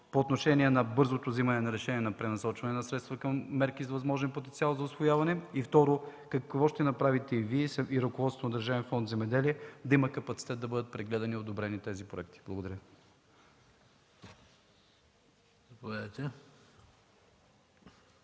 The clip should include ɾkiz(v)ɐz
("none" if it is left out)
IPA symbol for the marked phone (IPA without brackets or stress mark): v